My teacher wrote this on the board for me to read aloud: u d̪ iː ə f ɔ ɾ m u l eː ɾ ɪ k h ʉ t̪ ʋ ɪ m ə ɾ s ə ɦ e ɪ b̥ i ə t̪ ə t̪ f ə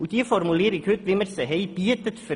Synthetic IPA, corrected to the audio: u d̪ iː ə f ɔ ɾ m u l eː ɾ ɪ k h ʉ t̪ ʋ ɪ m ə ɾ s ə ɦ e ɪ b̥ i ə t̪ ə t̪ f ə